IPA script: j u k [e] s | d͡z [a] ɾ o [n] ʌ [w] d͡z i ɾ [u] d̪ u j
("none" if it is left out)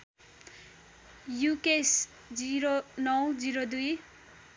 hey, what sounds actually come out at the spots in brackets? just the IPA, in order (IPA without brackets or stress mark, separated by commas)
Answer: e, i, n, w, o